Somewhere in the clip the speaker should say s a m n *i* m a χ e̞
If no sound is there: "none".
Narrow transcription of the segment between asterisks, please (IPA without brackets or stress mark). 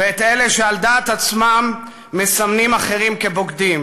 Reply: i